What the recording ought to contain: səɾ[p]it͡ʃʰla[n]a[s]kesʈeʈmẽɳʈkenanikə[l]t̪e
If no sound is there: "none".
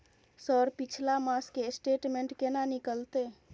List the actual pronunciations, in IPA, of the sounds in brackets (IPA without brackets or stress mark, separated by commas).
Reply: p, m, s, l